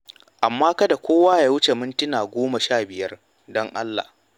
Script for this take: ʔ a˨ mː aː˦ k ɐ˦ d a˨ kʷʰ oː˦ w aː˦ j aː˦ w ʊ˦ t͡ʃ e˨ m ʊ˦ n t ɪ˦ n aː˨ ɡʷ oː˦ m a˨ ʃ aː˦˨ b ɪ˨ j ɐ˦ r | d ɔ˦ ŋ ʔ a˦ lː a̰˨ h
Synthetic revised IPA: ʔ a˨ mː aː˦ k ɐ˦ d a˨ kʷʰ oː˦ w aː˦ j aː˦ w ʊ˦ t͡ʃ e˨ m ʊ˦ n t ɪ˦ n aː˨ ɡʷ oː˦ m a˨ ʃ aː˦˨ b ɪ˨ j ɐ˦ r | d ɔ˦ ŋ ʔ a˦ lː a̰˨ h